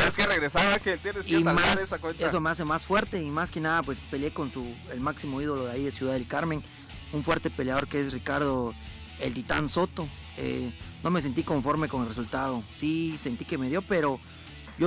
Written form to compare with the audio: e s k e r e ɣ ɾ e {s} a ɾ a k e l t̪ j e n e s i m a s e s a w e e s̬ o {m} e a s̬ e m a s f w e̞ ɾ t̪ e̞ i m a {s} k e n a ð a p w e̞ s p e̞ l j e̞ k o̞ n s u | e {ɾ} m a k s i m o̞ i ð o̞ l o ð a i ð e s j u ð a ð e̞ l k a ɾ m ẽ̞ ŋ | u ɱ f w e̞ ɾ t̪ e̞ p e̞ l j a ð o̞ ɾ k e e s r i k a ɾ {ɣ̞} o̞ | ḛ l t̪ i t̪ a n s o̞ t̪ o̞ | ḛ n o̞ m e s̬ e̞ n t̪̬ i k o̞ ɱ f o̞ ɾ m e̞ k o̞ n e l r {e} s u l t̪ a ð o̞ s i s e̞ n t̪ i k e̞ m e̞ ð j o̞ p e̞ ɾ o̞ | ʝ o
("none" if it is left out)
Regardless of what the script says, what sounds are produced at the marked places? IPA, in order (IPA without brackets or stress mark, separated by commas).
s, m, s, l, ð̞, e